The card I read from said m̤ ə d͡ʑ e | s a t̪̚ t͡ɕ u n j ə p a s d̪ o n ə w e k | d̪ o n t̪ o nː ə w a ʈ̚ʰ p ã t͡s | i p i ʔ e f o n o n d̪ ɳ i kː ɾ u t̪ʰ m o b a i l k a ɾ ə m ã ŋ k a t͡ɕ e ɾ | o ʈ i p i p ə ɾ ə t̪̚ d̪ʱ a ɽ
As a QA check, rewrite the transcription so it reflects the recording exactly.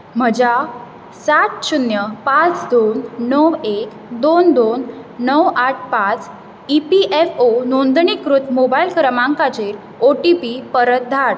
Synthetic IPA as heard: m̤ ə d͡ʑ a | s a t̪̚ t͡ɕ u n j ə p a t͡s d̪ o nː ə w e k | d̪ o n d̪ o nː ə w a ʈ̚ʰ p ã t͡s | i p i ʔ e f o n o n d̪ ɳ i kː ɾ u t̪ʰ m o b a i l k ə ɾ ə m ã ŋ k a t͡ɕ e ɾ | o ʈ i p i p ə ɾ ə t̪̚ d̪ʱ a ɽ